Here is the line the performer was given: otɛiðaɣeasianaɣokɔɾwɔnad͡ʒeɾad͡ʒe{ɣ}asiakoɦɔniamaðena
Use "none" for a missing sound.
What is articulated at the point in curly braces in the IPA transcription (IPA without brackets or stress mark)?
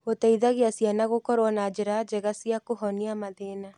ɣ